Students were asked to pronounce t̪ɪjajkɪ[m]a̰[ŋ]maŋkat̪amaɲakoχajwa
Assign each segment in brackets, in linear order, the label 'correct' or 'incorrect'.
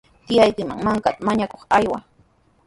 correct, correct

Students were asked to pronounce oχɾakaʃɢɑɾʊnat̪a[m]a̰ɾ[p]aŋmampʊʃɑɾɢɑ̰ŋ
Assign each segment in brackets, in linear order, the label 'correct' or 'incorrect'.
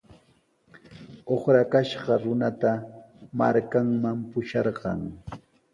correct, incorrect

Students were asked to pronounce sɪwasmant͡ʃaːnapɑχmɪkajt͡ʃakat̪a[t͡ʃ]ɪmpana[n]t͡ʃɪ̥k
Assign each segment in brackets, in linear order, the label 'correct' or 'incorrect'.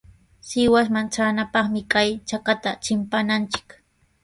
correct, correct

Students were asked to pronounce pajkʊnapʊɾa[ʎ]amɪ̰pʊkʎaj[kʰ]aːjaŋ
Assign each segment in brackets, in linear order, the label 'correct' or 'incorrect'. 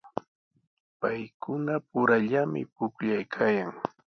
correct, correct

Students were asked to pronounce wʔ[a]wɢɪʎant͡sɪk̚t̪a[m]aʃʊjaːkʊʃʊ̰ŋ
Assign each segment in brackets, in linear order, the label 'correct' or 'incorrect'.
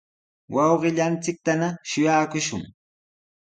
incorrect, incorrect

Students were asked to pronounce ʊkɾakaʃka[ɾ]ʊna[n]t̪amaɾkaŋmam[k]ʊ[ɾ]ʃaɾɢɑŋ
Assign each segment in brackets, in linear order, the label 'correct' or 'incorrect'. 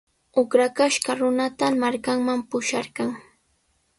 correct, incorrect, incorrect, incorrect

